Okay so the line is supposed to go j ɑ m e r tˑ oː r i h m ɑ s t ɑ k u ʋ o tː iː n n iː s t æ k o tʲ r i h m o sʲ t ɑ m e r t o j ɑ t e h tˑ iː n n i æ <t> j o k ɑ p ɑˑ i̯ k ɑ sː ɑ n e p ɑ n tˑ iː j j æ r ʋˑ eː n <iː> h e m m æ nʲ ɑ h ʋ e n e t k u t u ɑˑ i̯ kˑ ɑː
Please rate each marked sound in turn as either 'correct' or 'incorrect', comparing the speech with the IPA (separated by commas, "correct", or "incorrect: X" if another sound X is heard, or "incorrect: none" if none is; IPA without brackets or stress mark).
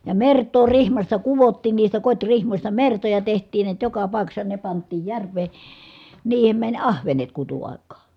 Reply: correct, correct